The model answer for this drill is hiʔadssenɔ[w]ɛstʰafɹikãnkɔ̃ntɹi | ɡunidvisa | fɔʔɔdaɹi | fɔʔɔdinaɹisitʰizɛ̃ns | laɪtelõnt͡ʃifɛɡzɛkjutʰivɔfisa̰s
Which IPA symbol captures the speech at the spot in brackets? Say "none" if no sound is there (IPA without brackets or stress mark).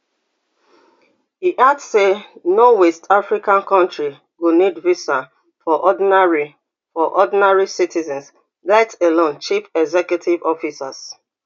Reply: w